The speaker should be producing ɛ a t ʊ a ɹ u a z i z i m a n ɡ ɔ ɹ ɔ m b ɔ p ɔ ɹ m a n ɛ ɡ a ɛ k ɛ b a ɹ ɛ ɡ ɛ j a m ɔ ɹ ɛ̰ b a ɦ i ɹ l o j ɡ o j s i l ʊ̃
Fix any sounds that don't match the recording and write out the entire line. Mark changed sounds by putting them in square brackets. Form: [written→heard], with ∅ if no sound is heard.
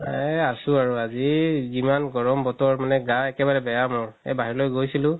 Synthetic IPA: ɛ a [t→s] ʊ a ɹ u a z i z i m a n ɡ ɔ ɹ ɔ m b ɔ [p→t] ɔ ɹ m a n ɛ ɡ a ɛ k ɛ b a ɹ ɛ [ɡ→b] ɛ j a m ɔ ɹ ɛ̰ b a ɦ i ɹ l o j ɡ o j s i l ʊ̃